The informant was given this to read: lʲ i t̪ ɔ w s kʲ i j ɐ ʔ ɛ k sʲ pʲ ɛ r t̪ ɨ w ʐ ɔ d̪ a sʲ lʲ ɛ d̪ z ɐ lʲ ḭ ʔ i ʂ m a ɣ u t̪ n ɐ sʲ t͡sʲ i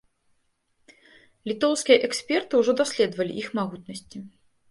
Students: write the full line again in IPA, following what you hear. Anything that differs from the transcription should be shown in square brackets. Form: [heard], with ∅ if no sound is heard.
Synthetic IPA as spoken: lʲ i t̪ ɔ w s kʲ i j ɐ ʔ ɛ k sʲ pʲ ɛ r t̪ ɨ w ʐ ɔ d̪ a sʲ lʲ ɛ d̪ [v] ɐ lʲ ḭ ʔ i [x] m a ɣ u t̪ n ɐ sʲ t͡sʲ i